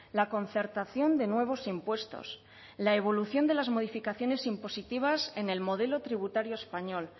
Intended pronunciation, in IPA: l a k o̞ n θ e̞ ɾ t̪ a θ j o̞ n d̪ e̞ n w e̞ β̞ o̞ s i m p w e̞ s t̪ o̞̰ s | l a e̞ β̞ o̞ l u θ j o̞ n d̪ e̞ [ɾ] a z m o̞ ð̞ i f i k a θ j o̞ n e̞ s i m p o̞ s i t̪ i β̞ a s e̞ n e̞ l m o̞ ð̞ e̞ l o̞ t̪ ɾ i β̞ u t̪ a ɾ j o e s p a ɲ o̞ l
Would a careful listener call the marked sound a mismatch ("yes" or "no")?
yes